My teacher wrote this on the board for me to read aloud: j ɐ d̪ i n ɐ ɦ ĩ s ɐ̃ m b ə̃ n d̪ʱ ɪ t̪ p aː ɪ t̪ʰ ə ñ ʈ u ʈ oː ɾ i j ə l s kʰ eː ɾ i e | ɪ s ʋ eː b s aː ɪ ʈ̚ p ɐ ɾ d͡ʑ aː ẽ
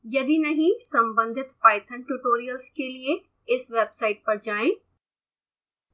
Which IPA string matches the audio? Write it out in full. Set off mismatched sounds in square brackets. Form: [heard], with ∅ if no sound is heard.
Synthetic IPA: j ɐ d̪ i n ɐ ɦ ĩ s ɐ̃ m b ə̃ n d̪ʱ ɪ t̪ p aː ɪ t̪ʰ ə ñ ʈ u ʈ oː ɾ i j ə l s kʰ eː [l] i e | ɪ s ʋ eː b s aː ɪ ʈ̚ p ɐ ɾ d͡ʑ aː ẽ